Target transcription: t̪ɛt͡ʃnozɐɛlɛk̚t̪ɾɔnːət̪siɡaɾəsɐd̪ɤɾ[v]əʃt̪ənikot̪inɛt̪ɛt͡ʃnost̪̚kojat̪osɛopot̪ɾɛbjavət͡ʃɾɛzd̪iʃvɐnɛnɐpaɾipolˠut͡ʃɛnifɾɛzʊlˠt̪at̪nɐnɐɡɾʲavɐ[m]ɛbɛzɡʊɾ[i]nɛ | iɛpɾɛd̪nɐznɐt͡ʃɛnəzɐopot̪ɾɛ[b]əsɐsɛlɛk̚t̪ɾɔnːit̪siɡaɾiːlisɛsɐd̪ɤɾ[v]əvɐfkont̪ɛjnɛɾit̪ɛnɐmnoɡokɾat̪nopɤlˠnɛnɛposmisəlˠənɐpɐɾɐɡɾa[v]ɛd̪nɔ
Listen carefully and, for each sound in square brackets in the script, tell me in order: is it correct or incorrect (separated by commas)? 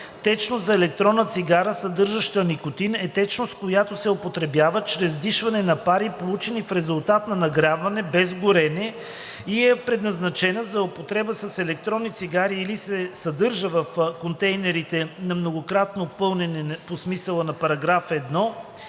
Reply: incorrect, incorrect, incorrect, correct, incorrect, incorrect